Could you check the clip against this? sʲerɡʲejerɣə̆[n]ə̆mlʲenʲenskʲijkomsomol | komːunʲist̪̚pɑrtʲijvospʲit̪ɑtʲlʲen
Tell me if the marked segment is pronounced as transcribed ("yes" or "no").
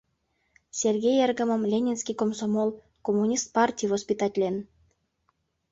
no